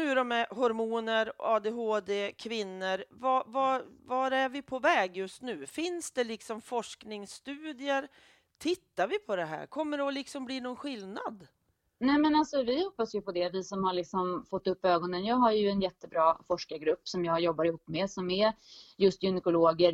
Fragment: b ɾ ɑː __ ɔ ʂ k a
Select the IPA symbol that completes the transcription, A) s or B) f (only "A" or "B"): B